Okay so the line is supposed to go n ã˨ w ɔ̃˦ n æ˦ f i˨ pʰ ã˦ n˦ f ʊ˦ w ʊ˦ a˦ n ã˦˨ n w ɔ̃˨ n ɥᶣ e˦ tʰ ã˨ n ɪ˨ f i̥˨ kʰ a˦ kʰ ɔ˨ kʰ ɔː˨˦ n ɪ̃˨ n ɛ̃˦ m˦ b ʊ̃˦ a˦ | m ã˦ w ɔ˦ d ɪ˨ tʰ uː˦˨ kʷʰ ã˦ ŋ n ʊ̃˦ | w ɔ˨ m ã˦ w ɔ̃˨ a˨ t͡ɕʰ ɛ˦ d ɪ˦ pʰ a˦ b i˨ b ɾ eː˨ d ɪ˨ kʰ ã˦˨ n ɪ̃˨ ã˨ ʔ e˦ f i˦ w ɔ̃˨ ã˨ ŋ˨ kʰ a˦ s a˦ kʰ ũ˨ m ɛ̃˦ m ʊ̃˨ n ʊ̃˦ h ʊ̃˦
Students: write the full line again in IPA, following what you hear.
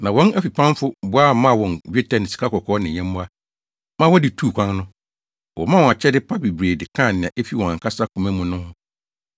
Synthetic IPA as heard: n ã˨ w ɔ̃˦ n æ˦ f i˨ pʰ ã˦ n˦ f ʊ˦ b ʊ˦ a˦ m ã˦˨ w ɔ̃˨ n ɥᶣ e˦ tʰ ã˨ n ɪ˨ s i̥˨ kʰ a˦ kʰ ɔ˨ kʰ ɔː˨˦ n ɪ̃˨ ɲ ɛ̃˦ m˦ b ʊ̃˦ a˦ | m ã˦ w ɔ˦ d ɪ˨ tʰ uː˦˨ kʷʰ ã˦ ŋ n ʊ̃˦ | w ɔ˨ m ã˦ w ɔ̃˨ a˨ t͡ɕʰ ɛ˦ d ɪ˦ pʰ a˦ b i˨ b ɾ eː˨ d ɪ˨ kʰ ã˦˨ n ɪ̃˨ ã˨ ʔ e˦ f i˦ w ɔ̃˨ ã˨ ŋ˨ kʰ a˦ s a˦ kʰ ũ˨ m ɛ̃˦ m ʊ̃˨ n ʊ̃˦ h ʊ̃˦